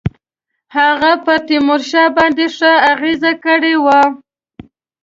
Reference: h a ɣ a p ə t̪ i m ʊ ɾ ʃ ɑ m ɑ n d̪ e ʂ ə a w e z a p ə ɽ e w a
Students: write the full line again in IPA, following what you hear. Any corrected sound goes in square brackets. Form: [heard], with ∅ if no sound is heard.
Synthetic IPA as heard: h a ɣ a p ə t̪ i m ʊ ɾ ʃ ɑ [b] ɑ n d̪ e ʂ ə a [ɣ] e z a [k] ə ɽ e w a